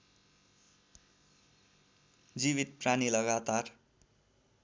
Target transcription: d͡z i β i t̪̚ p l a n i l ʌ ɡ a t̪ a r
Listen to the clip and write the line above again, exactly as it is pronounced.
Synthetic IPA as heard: d͡z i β i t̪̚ p r a n i l ʌ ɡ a t̪ a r